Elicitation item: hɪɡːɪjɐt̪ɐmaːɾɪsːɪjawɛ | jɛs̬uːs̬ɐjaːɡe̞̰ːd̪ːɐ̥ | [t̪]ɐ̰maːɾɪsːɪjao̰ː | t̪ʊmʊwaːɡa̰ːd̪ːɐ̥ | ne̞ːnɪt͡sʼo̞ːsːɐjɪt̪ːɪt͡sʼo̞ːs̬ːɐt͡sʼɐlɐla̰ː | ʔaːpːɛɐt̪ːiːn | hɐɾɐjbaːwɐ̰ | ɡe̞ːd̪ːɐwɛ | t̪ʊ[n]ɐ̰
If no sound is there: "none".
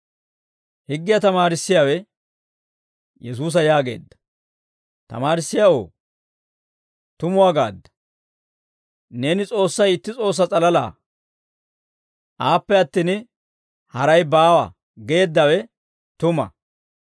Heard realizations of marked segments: t̪, m

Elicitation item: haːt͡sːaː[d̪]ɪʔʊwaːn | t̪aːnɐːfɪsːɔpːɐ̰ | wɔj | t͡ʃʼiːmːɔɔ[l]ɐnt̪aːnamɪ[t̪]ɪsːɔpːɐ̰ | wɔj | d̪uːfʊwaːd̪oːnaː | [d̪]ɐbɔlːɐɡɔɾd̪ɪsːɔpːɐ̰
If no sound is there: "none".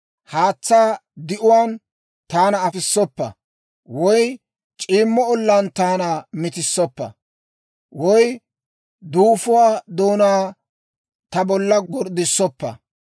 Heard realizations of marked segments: d̪, lː, t̪, t̪

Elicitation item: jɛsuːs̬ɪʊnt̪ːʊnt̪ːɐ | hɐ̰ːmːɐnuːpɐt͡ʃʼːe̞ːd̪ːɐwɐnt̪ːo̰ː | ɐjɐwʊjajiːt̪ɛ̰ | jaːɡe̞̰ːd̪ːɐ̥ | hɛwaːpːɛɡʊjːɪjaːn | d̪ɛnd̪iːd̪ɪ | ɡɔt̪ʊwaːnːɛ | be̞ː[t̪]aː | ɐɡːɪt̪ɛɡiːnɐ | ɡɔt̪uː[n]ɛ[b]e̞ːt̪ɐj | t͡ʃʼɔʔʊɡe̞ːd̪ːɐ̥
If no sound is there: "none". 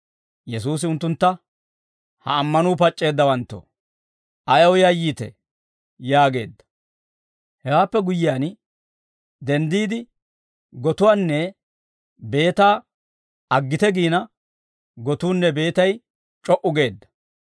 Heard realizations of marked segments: t̪, nː, b

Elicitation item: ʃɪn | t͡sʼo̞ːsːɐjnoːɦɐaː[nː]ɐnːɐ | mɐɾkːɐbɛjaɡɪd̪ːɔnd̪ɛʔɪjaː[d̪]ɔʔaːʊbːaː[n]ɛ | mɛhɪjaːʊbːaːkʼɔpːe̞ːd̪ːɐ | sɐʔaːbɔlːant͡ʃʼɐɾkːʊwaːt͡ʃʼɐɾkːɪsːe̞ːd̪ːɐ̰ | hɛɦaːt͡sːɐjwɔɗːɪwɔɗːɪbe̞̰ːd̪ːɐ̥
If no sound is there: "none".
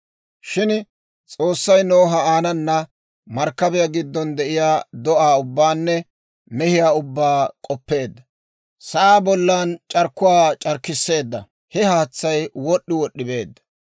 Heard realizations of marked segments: n, d̪, nː

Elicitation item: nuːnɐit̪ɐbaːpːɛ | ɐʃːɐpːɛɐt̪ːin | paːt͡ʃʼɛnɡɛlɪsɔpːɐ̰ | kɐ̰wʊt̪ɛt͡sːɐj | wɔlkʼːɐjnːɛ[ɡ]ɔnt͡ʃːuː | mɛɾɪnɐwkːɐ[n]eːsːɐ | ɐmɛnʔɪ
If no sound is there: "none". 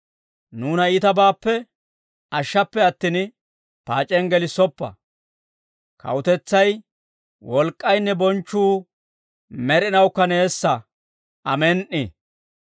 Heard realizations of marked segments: b, n

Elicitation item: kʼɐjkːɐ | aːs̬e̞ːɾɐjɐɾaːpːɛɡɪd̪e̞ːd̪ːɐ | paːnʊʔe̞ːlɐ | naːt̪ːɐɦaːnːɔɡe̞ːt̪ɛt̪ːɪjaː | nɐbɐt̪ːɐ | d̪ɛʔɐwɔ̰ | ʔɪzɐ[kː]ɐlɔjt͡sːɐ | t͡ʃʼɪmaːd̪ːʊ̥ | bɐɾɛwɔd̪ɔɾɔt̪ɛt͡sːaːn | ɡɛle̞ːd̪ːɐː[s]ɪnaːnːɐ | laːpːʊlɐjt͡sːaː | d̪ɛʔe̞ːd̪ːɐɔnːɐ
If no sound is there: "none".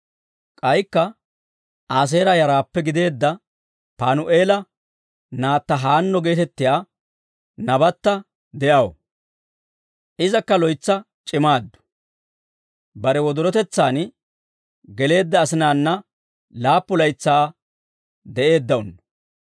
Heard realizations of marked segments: kː, s

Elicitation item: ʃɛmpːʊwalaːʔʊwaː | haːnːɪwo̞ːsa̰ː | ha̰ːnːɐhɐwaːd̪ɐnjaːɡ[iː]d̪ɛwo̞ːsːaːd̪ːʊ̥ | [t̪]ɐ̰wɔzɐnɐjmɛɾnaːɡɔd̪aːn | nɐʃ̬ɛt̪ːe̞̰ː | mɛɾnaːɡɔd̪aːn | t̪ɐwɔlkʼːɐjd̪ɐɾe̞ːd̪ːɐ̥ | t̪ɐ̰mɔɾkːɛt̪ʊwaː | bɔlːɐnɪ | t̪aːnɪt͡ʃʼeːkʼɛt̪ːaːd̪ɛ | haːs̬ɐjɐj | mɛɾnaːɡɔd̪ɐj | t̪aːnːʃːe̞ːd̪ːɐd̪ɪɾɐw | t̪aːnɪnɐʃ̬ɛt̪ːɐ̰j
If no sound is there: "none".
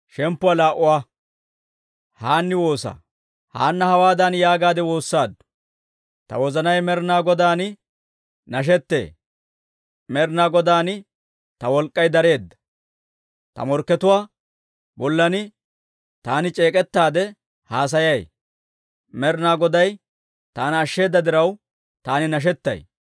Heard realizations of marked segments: aː, t̪

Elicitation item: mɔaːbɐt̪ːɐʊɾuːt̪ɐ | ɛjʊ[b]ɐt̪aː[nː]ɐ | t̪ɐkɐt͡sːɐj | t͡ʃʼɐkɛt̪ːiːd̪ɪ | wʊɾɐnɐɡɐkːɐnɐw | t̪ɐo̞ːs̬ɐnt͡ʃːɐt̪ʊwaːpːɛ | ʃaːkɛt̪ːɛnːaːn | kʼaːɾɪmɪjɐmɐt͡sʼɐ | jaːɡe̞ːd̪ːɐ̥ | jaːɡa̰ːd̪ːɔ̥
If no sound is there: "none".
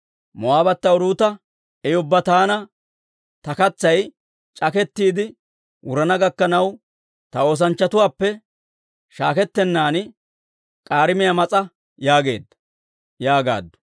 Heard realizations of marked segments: bː, n

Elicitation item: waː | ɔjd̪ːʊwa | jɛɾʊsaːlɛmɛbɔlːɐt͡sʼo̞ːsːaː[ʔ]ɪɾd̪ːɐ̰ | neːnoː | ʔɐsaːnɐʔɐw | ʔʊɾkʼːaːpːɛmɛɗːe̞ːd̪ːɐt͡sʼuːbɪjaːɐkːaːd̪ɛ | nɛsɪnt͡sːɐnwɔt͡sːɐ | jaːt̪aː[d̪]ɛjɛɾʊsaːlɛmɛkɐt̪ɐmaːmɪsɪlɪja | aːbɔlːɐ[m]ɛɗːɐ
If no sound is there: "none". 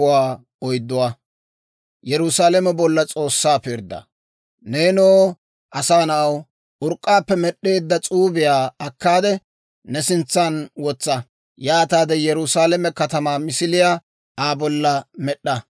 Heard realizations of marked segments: p, d̪, m

